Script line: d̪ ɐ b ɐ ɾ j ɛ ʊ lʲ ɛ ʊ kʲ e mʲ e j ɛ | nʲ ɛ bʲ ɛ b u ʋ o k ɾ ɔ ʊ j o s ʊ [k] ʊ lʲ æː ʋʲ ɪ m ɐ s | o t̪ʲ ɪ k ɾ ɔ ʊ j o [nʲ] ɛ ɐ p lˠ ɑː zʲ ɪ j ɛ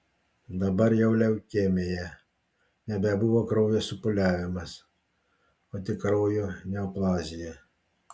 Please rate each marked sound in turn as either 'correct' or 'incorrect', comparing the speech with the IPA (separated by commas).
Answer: incorrect, correct